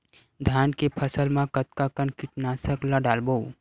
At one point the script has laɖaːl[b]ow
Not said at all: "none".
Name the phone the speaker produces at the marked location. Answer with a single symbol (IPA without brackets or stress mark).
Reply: b